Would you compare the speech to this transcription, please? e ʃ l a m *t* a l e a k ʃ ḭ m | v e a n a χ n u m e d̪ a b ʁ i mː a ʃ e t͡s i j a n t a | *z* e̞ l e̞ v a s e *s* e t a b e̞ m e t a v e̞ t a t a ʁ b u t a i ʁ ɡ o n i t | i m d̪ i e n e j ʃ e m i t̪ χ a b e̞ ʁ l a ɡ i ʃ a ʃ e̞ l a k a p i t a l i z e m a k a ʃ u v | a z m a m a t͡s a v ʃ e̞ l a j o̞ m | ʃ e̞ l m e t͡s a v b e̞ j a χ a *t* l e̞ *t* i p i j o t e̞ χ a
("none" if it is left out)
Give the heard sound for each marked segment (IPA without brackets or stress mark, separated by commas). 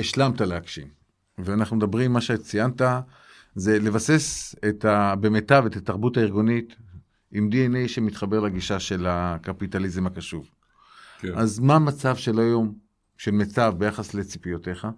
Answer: t, z, s, s, t͡s